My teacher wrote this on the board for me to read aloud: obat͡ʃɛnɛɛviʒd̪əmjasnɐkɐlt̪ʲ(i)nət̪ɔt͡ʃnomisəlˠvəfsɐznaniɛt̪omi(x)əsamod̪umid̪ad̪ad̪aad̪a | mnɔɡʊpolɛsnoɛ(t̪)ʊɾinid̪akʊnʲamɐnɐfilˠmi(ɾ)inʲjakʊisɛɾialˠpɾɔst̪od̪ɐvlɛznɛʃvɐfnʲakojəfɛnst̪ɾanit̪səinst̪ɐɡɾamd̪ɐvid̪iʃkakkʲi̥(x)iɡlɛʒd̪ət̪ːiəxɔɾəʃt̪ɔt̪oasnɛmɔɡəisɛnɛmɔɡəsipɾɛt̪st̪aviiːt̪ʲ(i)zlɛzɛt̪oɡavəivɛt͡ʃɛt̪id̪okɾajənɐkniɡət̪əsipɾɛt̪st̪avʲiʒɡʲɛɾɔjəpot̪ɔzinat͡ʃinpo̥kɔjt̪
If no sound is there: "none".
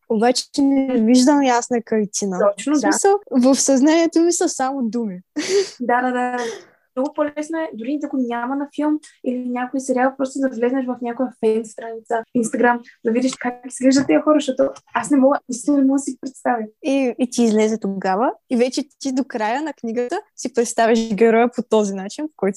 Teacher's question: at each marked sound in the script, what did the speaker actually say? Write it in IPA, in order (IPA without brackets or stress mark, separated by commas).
i, s, d̪, l, s, iː